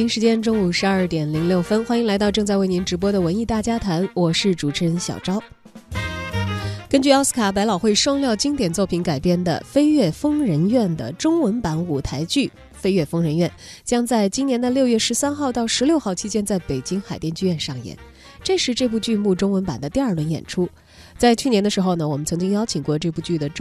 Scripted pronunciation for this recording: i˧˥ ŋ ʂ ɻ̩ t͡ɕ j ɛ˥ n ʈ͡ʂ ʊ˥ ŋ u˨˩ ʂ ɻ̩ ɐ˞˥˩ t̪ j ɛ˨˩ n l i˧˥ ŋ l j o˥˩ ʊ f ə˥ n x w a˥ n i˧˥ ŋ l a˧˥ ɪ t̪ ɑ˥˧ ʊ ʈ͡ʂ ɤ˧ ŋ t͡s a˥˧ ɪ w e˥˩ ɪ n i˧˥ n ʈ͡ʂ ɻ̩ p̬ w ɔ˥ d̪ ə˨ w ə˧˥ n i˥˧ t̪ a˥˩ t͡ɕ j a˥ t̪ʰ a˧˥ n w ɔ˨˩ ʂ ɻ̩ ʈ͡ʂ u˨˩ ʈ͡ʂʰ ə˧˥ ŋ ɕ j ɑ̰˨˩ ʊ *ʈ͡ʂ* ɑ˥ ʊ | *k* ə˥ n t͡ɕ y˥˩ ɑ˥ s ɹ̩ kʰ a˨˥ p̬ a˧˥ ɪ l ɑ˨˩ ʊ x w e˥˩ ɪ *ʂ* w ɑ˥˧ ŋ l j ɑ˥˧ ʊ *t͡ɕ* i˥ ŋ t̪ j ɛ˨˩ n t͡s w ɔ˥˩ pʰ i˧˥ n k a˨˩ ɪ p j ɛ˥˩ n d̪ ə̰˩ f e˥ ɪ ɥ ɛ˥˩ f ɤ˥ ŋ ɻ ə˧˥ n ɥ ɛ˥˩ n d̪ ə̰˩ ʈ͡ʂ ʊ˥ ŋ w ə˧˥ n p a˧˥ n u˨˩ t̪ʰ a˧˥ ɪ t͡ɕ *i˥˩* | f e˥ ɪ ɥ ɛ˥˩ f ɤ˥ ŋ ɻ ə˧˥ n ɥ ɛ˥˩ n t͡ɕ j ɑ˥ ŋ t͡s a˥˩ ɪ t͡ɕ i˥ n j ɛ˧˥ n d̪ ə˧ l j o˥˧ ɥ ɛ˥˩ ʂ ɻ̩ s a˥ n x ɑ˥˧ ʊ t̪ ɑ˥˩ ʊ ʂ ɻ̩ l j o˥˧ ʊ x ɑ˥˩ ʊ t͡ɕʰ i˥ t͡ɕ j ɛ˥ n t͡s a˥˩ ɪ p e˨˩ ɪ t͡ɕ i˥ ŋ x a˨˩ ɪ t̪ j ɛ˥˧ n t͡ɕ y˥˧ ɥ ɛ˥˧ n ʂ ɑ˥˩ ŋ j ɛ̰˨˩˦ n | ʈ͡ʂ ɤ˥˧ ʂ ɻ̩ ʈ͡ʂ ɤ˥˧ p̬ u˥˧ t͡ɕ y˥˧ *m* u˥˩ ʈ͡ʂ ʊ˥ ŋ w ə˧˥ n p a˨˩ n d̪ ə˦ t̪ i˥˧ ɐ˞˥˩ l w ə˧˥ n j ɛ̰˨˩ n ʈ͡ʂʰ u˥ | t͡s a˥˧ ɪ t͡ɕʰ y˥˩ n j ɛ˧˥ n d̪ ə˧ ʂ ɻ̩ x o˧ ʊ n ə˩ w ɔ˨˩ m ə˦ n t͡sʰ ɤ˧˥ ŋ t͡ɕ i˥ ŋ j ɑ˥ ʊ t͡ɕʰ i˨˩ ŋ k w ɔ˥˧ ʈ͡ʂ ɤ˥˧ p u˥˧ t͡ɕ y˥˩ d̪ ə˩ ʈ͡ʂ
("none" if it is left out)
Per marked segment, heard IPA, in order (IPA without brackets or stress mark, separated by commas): ʈ͡ʂ, k, ʂ, t͡ɕ, y˥˩, m